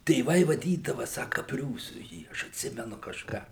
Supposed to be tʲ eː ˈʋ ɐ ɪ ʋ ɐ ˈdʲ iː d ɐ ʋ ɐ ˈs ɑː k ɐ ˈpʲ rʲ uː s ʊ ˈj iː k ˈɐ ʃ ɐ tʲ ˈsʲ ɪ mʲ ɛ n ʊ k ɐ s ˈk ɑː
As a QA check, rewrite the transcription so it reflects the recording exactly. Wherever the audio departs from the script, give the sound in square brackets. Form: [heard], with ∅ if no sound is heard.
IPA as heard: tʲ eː ˈʋ ɐ ɪ ʋ ɐ ˈdʲ iː d ɐ ʋ ɐ ˈs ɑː k ɐ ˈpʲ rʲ uː s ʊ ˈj iː [∅] ˈɐ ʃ ɐ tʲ ˈsʲ ɪ mʲ ɛ n ʊ k ɐ [ʃ] ˈk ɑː